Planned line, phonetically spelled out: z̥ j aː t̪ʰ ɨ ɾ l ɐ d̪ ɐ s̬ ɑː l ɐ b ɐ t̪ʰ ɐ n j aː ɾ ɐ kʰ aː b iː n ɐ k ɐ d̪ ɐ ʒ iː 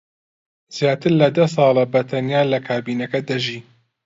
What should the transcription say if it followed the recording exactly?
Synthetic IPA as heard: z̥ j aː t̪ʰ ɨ ɾ l ɐ d̪ ɐ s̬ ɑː l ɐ b ɐ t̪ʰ ɐ n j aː l ɐ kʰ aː b iː n ɐ k ɐ d̪ ɐ ʒ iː